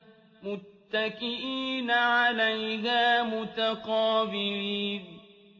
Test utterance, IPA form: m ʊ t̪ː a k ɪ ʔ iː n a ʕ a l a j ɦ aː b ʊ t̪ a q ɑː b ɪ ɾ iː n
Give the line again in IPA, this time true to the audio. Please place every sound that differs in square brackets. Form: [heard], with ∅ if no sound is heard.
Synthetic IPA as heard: m ʊ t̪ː a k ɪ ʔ iː n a ʕ a l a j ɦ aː [m] ʊ t̪ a q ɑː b ɪ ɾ iː n